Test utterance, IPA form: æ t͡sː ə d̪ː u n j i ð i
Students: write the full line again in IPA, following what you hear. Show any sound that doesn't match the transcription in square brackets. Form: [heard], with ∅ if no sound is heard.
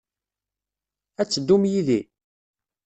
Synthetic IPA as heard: æ t͡sː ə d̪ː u [m] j i ð i